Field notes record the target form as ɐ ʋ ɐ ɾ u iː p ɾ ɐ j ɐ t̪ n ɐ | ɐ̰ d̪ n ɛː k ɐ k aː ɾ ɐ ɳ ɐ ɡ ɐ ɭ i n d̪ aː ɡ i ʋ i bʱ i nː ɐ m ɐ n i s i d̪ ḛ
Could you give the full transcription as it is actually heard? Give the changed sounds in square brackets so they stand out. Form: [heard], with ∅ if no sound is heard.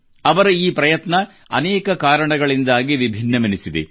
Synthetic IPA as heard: ɐ ʋ ɐ ɾ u iː p ɾ ɐ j ɐ t̪ n ɐ | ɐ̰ [∅] n ɛː k ɐ k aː ɾ ɐ ɳ ɐ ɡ ɐ ɭ i n d̪ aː ɡ i ʋ i bʱ i nː ɐ m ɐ n i s i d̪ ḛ